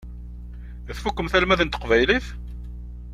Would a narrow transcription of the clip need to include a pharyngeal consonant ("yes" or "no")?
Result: no